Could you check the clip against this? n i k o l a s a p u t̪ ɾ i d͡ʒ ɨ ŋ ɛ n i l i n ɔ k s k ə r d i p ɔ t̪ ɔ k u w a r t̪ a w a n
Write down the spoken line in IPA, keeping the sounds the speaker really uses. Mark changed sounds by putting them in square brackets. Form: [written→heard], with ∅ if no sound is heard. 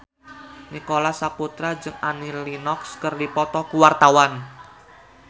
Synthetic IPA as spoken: n i k o l a s a p u t̪ ɾ [i→a] d͡ʒ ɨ ŋ [ɛ→a] n i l i n ɔ k s k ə r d i p ɔ t̪ ɔ k u w a r t̪ a w a n